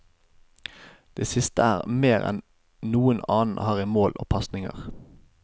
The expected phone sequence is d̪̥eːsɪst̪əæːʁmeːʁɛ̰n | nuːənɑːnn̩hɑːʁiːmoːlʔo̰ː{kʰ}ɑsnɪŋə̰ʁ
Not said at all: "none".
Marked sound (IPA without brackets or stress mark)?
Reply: pʰ